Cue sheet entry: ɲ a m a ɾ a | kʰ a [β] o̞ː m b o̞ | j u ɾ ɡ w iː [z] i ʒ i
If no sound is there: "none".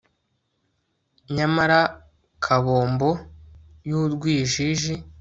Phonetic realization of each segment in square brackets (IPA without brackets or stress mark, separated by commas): β, ʒ